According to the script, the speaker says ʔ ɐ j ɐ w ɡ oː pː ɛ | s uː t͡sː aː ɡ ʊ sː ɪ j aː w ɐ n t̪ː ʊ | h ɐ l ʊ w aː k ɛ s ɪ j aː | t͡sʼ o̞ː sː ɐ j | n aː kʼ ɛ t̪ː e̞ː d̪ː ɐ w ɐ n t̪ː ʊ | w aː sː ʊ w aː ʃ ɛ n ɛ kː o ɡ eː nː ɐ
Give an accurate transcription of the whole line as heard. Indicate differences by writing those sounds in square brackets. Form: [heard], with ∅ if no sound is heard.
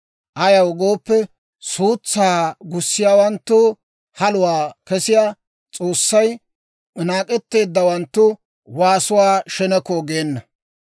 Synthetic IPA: ʔ ɐ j ɐ w ɡ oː pː ɛ | s uː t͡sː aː ɡ ʊ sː ɪ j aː w ɐ n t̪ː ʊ | h ɐ l ʊ w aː k ɛ s ɪ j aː | t͡sʼ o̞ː sː ɐ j | n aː kʼ ɛ t̪ː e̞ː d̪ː ɐ w ɐ n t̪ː ʊ | w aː [s] ʊ w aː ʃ ɛ n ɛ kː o ɡ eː nː ɐ